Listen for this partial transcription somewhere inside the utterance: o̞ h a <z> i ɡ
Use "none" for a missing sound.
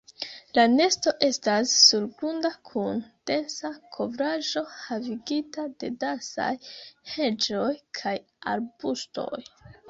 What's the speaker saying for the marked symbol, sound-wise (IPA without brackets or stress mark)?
v